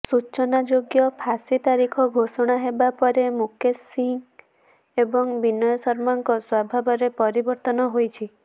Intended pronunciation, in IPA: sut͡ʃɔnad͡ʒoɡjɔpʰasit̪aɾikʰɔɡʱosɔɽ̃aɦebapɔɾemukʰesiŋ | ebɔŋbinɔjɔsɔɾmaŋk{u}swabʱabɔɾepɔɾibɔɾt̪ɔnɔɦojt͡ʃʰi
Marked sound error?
yes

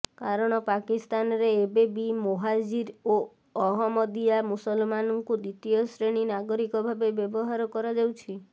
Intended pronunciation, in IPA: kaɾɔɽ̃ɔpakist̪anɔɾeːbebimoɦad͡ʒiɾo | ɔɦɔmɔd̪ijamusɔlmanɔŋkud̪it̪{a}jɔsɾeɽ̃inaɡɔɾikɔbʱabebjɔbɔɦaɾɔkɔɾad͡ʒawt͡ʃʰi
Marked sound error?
yes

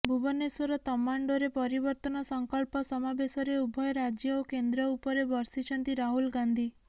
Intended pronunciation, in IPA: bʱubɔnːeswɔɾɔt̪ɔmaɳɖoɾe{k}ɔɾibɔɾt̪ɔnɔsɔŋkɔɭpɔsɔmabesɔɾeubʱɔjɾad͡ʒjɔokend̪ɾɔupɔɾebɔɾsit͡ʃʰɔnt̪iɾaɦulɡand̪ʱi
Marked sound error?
yes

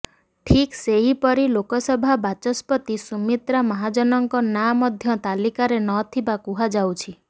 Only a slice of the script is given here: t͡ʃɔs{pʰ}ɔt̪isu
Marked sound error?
yes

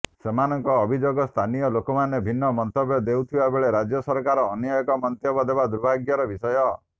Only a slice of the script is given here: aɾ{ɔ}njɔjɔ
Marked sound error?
yes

